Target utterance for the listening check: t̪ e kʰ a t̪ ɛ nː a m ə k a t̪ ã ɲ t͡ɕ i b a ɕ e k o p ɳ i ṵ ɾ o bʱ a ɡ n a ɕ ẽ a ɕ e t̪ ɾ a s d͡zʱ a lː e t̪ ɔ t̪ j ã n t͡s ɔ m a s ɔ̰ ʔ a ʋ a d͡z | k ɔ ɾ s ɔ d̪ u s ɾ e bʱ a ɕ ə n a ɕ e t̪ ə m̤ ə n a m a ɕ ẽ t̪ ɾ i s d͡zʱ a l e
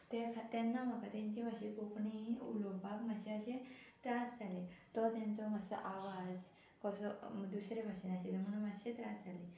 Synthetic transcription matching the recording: t̪ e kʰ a t̪ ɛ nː a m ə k a t̪ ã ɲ t͡ɕ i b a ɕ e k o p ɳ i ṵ l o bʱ a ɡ m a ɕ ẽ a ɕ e t̪ ɾ a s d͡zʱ a l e t̪ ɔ t̪ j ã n t͡s ɔ m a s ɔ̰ ʔ a ʋ a d͡z | k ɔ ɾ s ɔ d̪ u s ɾ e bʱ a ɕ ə n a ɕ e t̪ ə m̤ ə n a m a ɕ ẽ t̪ ɾ a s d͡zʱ a l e